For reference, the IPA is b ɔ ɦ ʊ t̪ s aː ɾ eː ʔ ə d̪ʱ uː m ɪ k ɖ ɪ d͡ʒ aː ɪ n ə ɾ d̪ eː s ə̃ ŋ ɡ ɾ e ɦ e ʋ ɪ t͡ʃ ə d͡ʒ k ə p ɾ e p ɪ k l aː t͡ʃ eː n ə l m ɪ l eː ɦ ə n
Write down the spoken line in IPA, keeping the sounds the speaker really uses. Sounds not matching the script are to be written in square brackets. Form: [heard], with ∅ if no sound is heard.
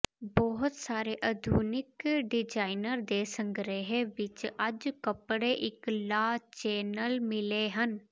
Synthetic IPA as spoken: b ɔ ɦ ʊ t̪ s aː ɾ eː ʔ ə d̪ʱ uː [n] ɪ k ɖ ɪ d͡ʒ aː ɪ n ə ɾ d̪ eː s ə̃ ŋ ɡ ɾ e ɦ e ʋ ɪ t͡ʃ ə d͡ʒ k ə p [ɽ] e [ʔ] ɪ k l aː t͡ʃ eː n ə l m ɪ l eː ɦ ə n